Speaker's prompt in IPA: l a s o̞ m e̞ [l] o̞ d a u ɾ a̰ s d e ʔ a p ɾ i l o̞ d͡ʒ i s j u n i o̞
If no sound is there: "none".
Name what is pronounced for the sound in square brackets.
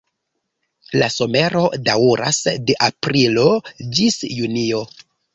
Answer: ɾ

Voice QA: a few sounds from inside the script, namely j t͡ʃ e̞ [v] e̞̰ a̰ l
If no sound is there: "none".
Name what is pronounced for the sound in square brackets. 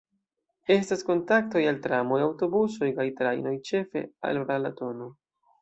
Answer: f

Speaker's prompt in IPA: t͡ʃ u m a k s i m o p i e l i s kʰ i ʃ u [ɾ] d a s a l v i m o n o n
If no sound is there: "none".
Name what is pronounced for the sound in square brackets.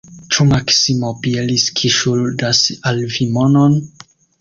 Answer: l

